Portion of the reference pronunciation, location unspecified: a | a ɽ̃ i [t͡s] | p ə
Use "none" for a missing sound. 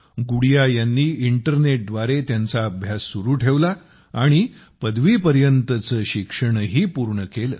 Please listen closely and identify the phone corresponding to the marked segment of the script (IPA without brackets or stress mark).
none